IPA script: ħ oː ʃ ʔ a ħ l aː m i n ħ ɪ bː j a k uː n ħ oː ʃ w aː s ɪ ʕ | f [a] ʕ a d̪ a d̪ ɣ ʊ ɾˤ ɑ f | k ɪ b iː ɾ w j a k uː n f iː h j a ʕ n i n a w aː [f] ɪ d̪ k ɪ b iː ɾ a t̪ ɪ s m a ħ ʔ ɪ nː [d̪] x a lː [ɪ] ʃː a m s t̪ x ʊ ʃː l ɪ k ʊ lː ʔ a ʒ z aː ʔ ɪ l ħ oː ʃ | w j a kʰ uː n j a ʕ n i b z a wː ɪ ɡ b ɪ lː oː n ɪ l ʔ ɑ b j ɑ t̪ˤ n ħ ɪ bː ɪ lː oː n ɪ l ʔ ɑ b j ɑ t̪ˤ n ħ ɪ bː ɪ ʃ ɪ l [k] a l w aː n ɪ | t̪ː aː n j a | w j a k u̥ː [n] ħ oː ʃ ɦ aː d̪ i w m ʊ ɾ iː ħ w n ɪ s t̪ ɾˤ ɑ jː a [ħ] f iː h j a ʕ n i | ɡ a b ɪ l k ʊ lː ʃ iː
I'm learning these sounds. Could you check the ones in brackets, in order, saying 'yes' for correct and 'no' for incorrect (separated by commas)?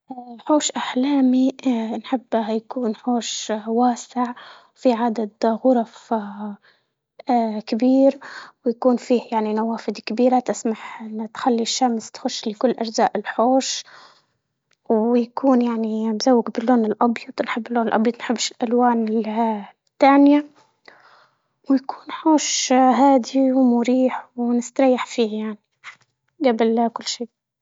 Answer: no, yes, no, no, no, yes, yes